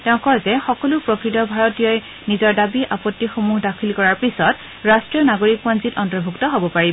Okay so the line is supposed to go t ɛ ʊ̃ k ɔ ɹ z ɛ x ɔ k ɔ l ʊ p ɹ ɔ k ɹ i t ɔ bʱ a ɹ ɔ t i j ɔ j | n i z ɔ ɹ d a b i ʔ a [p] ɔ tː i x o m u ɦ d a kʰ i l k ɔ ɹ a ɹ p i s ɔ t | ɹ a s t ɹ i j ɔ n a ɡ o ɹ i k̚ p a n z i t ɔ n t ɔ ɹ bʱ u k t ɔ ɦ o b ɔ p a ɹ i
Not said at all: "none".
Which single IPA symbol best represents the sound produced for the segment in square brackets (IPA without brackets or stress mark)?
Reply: p